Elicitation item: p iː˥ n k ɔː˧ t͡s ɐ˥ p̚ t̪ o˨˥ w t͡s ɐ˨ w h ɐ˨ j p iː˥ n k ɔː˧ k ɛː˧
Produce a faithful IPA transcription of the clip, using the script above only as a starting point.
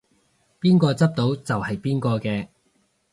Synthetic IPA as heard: p iː˥ n k ɔː˧ t͡s ɐ˥ p̚ t̪ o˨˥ w t͡s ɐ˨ w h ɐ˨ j p iː˥ n k ɔː˧ k ɛː˧